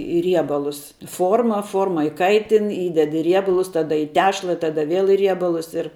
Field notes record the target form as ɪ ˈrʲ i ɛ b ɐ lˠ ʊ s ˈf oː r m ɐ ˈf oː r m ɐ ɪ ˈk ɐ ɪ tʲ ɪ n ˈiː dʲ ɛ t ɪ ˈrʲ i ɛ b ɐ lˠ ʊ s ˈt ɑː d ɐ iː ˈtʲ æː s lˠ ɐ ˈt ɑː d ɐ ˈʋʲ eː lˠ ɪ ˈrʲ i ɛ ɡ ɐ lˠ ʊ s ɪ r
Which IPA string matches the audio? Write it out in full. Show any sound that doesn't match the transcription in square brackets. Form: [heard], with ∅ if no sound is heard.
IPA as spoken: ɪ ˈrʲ i ɛ b ɐ lˠ ʊ s ˈf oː r m ɐ ˈf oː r m ɐ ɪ ˈk ɐ ɪ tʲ ɪ n ˈiː dʲ ɛ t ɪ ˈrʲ i ɛ b ɐ lˠ ʊ s ˈt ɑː d ɐ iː ˈtʲ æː [ʃ] lˠ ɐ ˈt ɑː d ɐ ˈʋʲ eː lˠ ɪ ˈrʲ i ɛ [b] ɐ lˠ ʊ s ɪ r